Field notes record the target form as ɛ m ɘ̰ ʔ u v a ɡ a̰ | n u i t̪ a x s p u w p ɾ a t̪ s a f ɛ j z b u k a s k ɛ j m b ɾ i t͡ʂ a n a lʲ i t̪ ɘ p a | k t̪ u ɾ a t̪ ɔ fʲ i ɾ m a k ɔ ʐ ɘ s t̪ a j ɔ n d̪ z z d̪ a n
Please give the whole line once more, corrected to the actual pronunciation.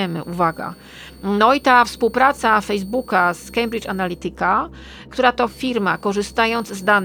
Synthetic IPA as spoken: ɛ m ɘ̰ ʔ u v a ɡ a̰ | n ɔ i t̪ a f s p u w p ɾ a t̪ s a f ɛ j z b u k a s k ɛ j m b ɾ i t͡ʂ a n a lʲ i t̪ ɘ k a | k t̪ u ɾ a t̪ ɔ fʲ i ɾ m a k ɔ ʐ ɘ s t̪ a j ɔ n d̪ z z d̪ a n